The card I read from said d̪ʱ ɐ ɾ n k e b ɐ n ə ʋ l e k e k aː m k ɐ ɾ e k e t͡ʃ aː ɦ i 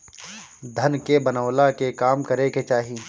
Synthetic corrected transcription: d̪ʱ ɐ n k e b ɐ n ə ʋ l a k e k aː m k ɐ ɾ e k e t͡ʃ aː ɦ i